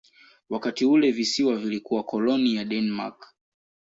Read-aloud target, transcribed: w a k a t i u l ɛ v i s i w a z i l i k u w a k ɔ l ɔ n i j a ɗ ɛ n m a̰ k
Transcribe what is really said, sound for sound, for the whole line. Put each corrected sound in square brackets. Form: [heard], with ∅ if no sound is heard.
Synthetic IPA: w a k a t i u l ɛ v i s i w a [v] i l i k u w a k ɔ l ɔ n i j a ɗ ɛ n m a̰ k